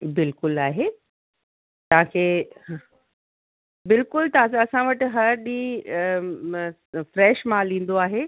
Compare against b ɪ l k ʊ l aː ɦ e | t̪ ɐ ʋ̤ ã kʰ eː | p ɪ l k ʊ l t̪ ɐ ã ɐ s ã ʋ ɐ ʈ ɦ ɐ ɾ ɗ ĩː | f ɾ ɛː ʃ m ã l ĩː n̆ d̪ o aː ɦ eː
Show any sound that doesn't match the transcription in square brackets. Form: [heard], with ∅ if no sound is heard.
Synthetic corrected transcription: b ɪ l k ʊ l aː ɦ e | t̪ ɐ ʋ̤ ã kʰ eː | [b] ɪ l k ʊ l t̪ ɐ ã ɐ s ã ʋ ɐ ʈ ɦ ɐ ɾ ɗ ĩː | f ɾ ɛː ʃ m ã l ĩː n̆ d̪ o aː ɦ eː